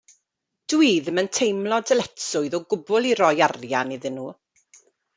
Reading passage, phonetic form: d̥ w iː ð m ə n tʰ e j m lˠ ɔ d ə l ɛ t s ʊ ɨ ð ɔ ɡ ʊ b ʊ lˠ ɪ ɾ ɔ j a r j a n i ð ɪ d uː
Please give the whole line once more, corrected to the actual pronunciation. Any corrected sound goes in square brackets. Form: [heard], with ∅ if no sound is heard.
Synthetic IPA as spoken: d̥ w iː ð m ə n tʰ e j m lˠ ɔ d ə l ɛ t s ʊ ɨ ð ɔ ɡ ʊ b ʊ lˠ [i] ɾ ɔ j a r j a n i ð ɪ [n] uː